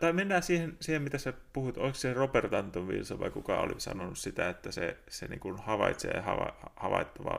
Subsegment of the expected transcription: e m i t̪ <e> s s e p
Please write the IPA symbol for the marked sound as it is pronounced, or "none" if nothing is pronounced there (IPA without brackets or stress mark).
æ